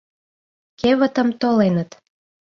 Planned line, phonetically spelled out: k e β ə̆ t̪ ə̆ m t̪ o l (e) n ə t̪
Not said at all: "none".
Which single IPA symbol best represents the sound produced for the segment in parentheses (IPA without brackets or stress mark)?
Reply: e